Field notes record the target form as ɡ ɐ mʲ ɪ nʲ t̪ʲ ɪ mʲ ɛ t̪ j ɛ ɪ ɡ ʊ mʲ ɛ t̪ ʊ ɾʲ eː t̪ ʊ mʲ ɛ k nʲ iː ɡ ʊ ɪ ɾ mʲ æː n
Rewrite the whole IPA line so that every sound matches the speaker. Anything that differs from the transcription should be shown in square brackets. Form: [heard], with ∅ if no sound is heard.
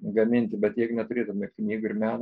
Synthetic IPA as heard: ɡ ɐ mʲ ɪ nʲ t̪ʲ ɪ [bʲ] ɛ t̪ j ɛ ɪ ɡ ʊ [nʲ] ɛ t̪ ʊ ɾʲ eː t̪ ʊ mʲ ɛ k nʲ iː ɡ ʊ ɪ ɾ mʲ æː n